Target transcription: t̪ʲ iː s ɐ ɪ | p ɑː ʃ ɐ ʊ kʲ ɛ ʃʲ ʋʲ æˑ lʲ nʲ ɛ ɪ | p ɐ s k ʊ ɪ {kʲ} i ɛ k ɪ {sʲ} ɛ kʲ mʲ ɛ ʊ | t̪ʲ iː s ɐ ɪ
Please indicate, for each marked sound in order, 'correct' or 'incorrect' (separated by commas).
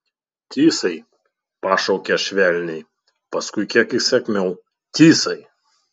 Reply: correct, correct